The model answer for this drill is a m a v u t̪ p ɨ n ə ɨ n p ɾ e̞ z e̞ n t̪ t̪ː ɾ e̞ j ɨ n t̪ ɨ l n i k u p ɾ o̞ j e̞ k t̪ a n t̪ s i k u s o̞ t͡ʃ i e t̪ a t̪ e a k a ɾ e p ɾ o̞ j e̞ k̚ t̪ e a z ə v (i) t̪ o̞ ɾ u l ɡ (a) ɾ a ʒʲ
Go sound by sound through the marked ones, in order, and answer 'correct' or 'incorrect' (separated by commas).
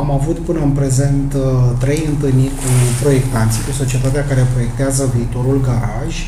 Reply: incorrect, correct